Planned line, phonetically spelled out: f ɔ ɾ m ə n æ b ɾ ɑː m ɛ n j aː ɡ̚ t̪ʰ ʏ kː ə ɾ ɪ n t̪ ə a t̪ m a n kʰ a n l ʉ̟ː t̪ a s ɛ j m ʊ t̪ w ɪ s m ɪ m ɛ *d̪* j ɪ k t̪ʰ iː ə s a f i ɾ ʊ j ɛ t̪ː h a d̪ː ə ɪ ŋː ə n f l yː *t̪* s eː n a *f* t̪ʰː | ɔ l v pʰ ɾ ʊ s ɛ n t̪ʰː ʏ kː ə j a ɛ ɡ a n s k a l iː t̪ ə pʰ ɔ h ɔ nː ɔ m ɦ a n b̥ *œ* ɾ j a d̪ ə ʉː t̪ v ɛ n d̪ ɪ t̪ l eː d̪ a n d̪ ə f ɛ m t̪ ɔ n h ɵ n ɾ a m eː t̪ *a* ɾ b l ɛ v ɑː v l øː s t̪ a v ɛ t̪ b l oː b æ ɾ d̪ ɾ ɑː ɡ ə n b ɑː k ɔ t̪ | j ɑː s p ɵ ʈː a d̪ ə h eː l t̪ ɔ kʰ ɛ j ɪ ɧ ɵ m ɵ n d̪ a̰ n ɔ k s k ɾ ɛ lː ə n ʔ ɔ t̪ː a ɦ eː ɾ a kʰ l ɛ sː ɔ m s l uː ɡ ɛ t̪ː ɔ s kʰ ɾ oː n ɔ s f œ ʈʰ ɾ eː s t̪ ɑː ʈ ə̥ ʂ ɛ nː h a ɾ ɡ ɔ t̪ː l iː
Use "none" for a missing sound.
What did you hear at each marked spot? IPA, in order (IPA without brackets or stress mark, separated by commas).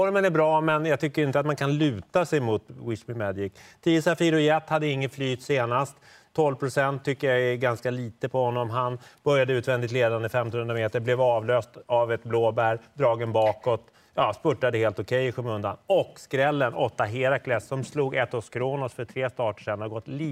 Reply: d̪, t̪, s, œ, ə